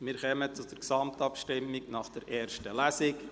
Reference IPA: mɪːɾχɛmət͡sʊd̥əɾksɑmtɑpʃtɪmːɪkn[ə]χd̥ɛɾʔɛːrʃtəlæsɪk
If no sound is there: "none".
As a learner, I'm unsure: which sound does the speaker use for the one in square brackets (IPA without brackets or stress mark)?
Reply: ɑ